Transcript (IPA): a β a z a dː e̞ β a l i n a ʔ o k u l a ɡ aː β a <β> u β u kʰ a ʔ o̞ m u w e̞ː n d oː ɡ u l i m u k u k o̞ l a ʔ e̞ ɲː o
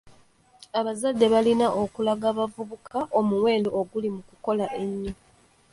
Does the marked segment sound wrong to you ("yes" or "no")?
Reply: yes